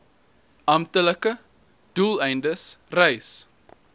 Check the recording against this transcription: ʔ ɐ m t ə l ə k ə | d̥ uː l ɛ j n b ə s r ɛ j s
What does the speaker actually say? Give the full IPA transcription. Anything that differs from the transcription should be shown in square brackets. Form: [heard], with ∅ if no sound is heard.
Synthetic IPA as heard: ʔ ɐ m t ə l ə k ə | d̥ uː l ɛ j n [d] ə s r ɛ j s